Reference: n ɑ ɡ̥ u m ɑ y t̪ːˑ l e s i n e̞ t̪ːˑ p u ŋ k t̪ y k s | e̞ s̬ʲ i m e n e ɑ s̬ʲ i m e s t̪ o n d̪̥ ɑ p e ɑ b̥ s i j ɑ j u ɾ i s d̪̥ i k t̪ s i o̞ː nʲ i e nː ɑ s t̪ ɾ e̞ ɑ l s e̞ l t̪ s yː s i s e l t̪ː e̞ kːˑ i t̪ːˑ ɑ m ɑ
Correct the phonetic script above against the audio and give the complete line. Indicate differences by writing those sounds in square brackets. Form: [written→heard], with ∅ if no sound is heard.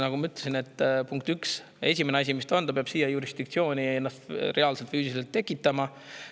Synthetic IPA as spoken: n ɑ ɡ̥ u m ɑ y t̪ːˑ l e s i n e̞ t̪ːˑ p u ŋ k t̪ y k s | e̞ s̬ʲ i m e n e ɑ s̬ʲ i m [e→i] s t̪ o n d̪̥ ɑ p e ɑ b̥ s i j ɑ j u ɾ i s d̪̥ i k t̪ s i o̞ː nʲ i e nː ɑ s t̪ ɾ e̞ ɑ l s e̞ l t̪ [s→f] yː s i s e l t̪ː e̞ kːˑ i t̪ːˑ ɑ m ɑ